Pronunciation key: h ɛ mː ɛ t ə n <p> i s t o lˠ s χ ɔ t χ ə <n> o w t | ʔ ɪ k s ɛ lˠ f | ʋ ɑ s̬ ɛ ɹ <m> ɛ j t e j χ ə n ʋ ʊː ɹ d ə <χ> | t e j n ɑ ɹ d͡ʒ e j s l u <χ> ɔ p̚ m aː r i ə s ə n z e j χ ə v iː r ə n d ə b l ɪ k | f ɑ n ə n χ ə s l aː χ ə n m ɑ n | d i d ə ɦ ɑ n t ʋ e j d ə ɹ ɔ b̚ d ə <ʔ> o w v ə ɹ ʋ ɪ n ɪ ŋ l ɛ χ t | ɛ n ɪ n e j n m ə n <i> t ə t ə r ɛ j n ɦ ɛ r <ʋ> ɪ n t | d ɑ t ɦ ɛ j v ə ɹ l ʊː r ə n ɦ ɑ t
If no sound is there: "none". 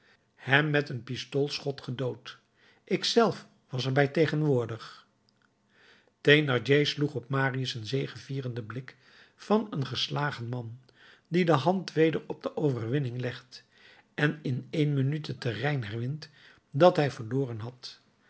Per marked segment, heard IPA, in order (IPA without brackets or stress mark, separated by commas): p, d, b, χ, χ, ʔ, y, ʋ